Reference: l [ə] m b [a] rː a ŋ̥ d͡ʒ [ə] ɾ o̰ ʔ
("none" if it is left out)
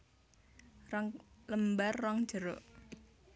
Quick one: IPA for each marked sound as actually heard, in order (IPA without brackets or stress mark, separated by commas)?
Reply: ə, a, ə